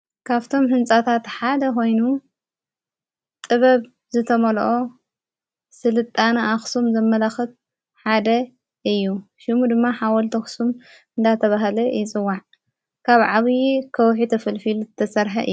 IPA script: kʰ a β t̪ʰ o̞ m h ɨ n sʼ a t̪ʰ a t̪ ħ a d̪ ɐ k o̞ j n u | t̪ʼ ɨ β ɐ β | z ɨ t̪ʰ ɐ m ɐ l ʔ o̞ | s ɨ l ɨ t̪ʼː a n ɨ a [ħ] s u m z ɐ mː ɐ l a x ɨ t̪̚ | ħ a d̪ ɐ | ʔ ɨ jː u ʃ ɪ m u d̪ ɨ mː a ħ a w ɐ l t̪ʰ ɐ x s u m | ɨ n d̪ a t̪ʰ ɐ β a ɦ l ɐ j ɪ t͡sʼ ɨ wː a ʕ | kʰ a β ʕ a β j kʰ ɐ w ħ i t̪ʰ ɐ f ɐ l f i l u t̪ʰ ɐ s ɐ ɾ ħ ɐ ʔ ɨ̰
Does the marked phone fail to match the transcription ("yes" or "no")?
yes